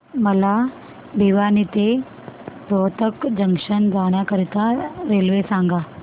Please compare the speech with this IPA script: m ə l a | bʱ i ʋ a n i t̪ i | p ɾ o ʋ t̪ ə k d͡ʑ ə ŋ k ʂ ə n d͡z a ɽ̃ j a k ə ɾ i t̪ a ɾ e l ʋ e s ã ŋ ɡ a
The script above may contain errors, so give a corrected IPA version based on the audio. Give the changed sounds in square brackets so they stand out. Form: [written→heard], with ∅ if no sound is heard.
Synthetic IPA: m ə l a | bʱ i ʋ a n i t̪ [i→e] | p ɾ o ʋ t̪ ə k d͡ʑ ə ŋ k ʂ ə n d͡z a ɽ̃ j a k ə ɾ i t̪ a ɾ e l ʋ e s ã ŋ ɡ a